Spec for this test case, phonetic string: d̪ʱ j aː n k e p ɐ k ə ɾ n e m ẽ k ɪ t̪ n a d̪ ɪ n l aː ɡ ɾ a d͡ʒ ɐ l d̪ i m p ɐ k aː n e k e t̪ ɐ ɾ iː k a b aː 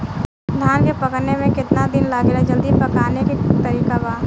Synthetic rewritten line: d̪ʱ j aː n k e p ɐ k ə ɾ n e m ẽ k ɪ t̪ n a d̪ ɪ n l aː ɡ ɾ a d͡ʒ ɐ l d̪ i p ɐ k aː n e k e t̪ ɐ ɾ iː k a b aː